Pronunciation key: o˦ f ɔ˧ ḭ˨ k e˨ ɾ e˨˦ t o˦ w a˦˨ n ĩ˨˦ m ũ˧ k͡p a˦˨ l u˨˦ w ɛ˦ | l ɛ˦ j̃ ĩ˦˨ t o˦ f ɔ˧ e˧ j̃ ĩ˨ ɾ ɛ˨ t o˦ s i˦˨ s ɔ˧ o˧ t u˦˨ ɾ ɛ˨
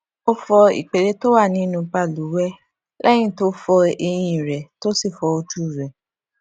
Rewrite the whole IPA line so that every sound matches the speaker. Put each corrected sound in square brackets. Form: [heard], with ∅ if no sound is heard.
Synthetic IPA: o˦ f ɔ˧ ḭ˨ [k͡p] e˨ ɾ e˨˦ t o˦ w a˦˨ n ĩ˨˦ [n] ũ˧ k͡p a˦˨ l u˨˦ w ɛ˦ | l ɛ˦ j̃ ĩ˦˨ t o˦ f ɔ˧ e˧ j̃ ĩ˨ ɾ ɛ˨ t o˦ s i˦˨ [f] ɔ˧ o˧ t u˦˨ ɾ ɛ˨